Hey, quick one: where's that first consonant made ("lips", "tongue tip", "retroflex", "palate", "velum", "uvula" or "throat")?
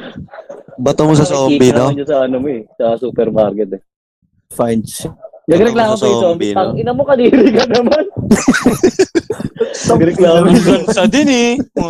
lips